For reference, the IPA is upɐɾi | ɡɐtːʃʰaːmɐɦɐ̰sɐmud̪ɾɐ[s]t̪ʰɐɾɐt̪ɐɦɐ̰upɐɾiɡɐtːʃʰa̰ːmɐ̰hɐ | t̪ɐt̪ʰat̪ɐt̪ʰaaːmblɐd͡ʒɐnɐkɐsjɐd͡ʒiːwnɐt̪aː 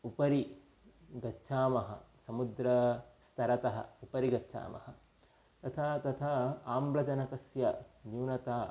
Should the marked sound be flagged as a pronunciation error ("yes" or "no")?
no